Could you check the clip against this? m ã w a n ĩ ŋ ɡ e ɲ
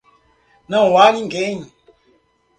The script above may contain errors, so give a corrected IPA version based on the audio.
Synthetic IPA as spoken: n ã w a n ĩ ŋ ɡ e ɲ